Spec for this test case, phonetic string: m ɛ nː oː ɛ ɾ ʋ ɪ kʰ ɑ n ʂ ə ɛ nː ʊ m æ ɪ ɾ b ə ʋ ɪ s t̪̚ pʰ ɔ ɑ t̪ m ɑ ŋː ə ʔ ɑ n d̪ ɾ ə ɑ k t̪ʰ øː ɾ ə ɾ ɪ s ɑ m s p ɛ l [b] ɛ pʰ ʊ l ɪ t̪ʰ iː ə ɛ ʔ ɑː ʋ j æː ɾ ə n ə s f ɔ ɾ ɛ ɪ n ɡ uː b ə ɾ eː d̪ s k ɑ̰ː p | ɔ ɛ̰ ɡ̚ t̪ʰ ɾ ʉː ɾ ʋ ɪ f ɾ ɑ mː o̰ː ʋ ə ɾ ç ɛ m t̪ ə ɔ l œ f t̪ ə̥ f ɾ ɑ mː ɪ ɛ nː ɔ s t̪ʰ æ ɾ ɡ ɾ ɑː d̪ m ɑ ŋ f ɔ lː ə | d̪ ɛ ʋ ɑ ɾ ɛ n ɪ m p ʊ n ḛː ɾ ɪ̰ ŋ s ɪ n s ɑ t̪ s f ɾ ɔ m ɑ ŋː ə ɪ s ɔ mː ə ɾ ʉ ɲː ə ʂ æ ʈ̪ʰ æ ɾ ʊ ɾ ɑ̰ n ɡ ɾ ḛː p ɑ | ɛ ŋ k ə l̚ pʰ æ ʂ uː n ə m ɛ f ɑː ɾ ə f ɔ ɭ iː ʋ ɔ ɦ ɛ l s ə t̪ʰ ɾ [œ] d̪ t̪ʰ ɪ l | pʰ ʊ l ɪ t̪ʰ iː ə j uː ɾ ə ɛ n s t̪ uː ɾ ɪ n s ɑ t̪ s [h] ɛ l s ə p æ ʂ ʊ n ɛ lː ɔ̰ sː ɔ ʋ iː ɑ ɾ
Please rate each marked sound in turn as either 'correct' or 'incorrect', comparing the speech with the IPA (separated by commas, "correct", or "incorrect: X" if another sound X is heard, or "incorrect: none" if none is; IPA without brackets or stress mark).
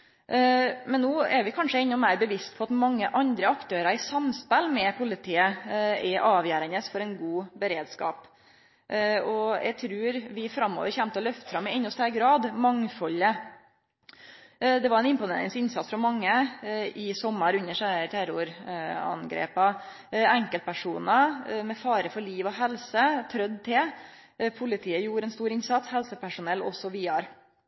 incorrect: m, correct, correct